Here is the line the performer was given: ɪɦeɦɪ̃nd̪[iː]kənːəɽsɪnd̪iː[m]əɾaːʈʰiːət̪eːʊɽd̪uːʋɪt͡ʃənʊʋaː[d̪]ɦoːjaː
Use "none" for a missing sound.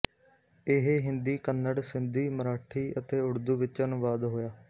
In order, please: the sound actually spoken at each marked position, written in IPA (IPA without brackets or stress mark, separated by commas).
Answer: iː, m, d̪